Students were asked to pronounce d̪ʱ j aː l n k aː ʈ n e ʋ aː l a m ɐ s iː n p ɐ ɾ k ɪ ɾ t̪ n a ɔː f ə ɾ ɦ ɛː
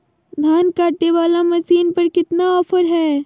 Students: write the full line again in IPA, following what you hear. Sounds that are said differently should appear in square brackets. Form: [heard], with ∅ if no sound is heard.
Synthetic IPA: d̪ʱ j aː [∅] n k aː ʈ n e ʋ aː l a m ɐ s iː n p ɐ ɾ k ɪ [∅] t̪ n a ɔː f ə ɾ ɦ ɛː